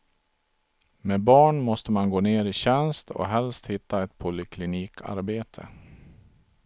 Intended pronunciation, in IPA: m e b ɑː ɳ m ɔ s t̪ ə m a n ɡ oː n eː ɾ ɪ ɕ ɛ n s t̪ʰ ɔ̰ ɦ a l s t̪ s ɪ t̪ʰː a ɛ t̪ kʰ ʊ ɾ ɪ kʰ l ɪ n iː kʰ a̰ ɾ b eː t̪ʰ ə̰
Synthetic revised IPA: m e b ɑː ɳ m ɔ s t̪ ə m a n ɡ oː n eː ɾ ɪ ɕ ɛ n s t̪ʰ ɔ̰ ɦ ɛ l s t̪ h ɪ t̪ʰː a ɛ t̪ pʰ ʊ l ɪ kʰ l ɪ n iː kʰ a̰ ɾ b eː t̪ʰ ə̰